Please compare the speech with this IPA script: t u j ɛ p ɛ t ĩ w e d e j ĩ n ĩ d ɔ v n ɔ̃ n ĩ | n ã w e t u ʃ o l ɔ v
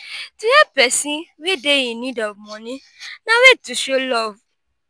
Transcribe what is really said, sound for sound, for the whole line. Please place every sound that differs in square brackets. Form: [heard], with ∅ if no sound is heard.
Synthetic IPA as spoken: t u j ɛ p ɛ [s] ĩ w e d e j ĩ n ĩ d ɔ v [m] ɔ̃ n ĩ | n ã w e t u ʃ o l ɔ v